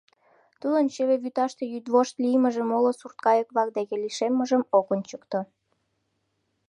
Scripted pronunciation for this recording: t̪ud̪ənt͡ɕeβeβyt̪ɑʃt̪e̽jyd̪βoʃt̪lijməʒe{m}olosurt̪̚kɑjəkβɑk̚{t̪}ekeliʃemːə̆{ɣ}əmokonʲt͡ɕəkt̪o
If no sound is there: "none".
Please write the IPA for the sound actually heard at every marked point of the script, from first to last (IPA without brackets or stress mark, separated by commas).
m, d̪, ʒ